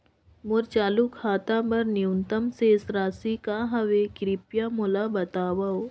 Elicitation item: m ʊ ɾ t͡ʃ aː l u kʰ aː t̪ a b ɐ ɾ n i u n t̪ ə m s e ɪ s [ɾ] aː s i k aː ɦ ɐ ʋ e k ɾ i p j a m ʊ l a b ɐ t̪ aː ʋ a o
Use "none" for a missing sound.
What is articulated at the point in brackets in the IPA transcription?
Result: ɾ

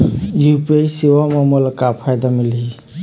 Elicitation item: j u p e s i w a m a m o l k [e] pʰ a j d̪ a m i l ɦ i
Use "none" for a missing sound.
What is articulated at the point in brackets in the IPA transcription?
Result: a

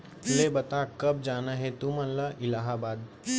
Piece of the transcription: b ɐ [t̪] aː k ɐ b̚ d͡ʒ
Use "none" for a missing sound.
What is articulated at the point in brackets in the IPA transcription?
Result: t̪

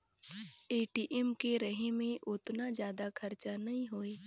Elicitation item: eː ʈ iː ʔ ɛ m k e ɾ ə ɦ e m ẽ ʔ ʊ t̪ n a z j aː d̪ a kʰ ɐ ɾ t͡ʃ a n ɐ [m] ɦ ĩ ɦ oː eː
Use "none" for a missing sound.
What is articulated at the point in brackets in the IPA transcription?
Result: none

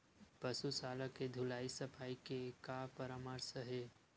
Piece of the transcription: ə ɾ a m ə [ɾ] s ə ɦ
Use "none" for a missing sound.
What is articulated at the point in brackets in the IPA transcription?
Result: ɾ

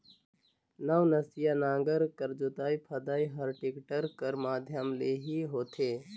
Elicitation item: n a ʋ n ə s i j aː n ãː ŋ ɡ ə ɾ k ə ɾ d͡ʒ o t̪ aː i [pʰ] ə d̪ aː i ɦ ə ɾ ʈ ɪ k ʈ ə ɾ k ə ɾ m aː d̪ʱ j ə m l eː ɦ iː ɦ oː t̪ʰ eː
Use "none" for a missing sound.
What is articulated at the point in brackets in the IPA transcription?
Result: pʰ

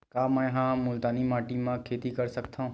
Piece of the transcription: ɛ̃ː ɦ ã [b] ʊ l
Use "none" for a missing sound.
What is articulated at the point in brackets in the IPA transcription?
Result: m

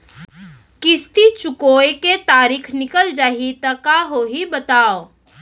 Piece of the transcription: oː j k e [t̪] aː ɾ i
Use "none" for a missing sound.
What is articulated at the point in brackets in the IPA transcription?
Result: t̪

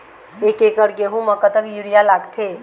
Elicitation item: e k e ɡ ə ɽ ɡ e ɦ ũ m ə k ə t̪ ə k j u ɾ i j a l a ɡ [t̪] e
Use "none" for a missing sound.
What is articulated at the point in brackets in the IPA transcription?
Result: t̪ʰ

